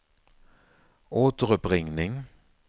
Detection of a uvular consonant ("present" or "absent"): present